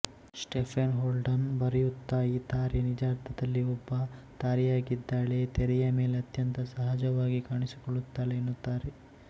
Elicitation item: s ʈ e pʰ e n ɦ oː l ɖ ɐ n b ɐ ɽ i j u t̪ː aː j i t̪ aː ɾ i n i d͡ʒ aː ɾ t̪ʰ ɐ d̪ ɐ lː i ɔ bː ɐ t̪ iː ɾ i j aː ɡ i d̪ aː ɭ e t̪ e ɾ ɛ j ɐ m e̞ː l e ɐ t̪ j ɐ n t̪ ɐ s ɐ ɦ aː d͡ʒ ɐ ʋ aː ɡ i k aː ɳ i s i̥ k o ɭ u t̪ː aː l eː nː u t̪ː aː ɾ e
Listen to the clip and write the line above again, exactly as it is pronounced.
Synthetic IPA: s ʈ e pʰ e n ɦ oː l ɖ ɐ n b ɐ ɾ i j u t̪ː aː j i t̪ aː ɾ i n i d͡ʒ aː ɾ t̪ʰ ɐ d̪ ɐ lː i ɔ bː ɐ t̪ aː ɾ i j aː ɡ i d̪ː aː ɭ e t̪ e ɾ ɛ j ɐ m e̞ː l e ɐ t̪ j ɐ n t̪ ɐ s ɐ ɦ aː d͡ʒ ɐ ʋ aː ɡ i k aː ɳ i s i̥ k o ɭ u t̪ː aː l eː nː u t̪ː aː ɾ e